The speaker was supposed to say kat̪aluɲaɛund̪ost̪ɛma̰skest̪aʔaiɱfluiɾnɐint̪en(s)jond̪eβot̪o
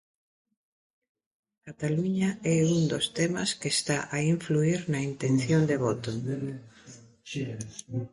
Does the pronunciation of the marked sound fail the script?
yes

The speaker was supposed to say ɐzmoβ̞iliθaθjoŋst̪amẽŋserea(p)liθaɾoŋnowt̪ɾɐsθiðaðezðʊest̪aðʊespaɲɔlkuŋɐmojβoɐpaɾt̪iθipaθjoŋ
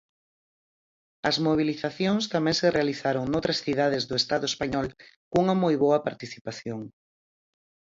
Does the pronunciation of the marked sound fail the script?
yes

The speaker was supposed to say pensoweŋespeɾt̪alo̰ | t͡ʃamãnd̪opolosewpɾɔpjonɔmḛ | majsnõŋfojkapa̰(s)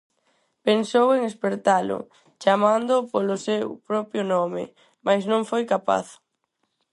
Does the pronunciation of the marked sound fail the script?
yes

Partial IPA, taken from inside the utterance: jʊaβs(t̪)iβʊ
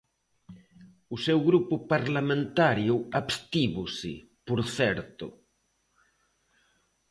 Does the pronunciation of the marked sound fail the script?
no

